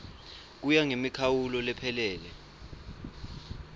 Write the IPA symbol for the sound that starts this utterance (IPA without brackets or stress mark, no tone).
k̬